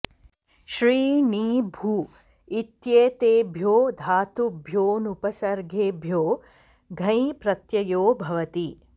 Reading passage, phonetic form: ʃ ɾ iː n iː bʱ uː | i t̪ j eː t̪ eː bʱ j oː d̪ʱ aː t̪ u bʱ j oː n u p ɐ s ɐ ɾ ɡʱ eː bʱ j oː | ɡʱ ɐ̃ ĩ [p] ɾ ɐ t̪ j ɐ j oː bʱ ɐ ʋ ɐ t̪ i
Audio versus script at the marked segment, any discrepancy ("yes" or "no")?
no